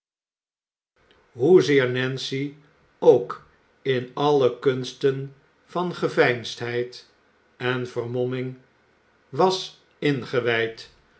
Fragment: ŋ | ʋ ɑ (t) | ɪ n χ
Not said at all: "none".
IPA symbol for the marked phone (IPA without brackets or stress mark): s